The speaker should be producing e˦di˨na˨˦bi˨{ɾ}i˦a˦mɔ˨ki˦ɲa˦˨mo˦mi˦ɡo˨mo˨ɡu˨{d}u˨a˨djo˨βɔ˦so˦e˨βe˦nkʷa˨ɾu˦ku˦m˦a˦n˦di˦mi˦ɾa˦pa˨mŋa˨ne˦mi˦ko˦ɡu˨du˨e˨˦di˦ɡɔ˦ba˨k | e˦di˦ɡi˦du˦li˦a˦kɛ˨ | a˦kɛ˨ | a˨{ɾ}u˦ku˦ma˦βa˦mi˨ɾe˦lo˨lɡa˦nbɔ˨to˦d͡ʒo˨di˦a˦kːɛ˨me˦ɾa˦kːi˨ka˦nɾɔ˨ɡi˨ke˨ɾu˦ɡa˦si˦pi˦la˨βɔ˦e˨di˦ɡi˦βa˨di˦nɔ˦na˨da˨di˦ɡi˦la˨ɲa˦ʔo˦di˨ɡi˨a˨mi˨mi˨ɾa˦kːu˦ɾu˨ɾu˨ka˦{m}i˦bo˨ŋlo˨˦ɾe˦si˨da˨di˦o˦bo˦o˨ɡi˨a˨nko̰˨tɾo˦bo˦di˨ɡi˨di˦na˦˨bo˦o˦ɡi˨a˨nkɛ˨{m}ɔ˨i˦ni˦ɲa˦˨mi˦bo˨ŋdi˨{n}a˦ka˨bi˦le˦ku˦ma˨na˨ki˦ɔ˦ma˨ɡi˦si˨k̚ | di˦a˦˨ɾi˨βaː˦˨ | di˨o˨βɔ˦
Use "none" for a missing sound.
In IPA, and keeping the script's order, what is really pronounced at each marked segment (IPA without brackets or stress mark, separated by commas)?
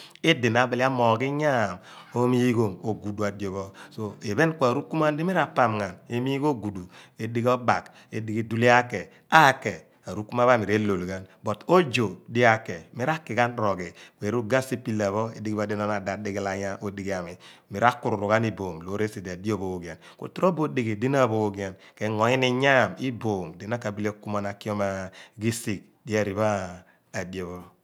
l, d, ɾ, n, ŋ, n